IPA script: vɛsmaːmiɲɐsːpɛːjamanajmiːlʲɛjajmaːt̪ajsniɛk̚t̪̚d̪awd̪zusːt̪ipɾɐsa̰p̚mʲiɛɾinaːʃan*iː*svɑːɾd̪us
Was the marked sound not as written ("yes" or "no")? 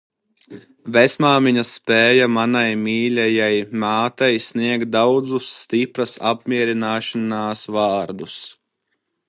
yes